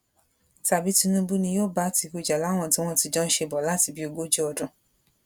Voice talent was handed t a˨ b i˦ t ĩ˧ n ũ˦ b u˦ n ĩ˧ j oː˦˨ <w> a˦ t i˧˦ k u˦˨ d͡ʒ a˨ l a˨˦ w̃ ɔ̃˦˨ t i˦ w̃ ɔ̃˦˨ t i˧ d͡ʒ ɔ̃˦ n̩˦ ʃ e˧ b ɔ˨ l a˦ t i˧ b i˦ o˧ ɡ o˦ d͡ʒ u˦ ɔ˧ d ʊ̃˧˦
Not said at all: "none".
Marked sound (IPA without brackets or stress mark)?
b